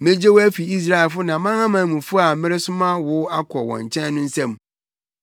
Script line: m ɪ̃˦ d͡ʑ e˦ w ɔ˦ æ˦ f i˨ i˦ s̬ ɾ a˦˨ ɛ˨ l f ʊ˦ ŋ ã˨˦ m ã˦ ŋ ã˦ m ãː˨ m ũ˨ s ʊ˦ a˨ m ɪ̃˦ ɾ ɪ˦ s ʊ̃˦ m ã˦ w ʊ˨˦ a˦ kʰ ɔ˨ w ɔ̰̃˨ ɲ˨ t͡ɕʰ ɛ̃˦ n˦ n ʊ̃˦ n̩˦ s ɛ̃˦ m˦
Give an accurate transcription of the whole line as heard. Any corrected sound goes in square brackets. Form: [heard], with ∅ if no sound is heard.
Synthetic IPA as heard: m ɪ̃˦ d͡ʑ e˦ w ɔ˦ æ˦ f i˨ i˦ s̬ ɾ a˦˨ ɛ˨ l f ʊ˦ [n] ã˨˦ m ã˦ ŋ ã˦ m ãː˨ m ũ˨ [f] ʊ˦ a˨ m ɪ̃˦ ɾ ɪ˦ s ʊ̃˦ m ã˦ w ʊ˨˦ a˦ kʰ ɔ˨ w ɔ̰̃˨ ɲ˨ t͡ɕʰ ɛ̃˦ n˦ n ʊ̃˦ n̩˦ s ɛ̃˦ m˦